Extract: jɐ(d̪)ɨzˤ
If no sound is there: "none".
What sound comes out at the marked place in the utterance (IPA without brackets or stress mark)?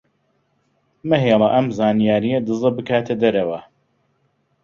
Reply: d̪